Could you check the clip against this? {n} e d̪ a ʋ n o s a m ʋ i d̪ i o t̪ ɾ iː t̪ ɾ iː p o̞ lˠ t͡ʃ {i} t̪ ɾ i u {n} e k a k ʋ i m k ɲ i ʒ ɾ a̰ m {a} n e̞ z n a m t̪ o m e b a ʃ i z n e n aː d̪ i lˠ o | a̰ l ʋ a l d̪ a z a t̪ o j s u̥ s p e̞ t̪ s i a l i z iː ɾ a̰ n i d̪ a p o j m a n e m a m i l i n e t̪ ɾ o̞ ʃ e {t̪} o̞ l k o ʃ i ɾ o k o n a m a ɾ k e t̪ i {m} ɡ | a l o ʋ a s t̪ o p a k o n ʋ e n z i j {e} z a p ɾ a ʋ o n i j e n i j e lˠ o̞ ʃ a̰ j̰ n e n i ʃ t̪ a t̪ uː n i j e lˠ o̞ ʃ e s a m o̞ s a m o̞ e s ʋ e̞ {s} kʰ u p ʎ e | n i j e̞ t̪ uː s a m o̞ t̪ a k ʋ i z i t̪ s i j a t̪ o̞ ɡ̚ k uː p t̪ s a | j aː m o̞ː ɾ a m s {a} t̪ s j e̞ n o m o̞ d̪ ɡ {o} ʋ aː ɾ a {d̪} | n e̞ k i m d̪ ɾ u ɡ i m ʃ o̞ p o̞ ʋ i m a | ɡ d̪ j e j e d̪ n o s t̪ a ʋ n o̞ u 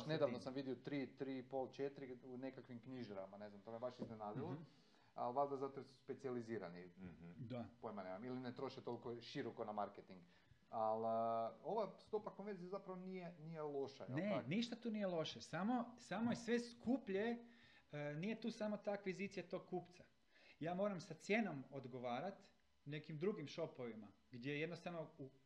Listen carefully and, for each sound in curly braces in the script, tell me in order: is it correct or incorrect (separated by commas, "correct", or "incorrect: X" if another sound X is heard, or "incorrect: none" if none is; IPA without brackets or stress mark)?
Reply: correct, incorrect: e, correct, correct, correct, incorrect: ŋ, incorrect: a, correct, correct, correct, incorrect: t̪